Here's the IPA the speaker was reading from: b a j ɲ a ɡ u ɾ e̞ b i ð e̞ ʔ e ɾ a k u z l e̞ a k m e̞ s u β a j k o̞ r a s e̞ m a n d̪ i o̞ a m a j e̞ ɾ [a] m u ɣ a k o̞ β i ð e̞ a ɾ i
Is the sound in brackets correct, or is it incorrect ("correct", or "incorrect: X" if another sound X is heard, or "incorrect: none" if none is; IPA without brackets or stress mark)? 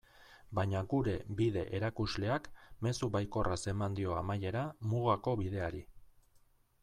correct